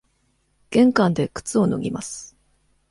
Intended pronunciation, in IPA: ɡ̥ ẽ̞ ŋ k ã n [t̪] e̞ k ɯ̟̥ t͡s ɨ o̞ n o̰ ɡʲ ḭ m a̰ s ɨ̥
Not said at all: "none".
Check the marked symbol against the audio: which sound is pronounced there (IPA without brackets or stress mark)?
d̪